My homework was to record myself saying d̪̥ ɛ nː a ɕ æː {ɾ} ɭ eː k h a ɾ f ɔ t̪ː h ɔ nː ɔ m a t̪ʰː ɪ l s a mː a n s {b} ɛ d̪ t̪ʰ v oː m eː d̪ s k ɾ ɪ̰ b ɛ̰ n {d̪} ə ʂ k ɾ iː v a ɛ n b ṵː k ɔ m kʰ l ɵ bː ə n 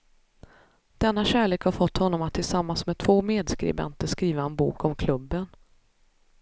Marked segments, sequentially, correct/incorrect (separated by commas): incorrect, incorrect, incorrect